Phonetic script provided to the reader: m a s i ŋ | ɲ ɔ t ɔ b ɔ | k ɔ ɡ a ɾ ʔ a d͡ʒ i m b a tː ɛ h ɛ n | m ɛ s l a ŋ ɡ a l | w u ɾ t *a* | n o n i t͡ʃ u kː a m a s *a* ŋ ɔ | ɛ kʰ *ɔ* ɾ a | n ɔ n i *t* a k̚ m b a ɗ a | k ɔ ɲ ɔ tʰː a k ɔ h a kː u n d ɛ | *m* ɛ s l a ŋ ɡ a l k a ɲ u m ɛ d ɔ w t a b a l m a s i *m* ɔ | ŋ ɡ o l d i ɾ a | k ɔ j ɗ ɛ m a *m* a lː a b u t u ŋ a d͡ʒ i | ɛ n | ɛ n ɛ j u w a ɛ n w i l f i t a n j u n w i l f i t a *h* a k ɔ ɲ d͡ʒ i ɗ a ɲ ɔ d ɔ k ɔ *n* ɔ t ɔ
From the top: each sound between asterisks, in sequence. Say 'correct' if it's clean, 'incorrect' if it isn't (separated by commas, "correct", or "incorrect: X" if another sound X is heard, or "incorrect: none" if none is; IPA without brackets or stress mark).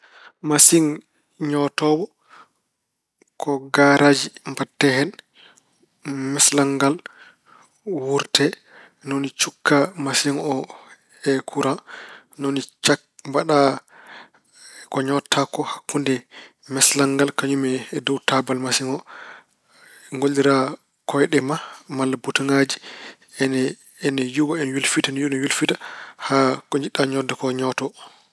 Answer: incorrect: ɛ, incorrect: i, incorrect: u, incorrect: t͡ʃ, correct, incorrect: ŋ, correct, correct, incorrect: ɲ